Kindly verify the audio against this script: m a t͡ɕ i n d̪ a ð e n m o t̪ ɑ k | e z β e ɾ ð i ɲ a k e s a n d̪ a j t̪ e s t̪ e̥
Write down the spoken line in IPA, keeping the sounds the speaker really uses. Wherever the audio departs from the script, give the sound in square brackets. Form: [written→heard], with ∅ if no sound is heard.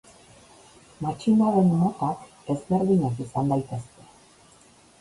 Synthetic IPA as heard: m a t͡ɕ i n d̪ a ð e n m o t̪ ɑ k | e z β e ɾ ð i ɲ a k [e→i] s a n d̪ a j t̪ e s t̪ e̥